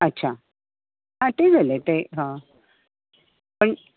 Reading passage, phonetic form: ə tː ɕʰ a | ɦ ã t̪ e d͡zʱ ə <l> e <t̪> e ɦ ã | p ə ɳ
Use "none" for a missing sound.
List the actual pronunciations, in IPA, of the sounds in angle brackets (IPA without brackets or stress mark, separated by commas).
l, t̪